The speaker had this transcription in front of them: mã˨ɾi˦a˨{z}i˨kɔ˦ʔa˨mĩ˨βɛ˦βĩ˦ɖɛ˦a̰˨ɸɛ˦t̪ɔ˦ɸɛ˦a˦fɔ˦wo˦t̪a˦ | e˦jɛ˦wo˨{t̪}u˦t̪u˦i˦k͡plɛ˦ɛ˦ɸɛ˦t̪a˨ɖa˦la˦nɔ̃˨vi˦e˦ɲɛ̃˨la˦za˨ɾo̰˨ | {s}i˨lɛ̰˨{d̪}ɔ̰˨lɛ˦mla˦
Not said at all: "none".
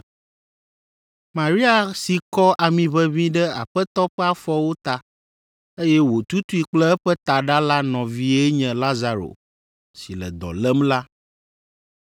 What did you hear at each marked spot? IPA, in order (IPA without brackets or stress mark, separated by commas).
s, t̪, s, d̪